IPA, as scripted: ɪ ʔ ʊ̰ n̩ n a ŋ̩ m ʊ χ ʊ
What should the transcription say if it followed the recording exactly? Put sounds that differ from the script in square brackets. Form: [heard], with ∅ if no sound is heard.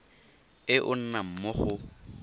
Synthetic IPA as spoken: ɪ ʔ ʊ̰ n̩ n a [m̩] m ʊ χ ʊ